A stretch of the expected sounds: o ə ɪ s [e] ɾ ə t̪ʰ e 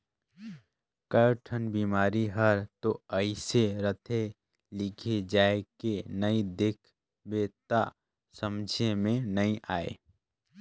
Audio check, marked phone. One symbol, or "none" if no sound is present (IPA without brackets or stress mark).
e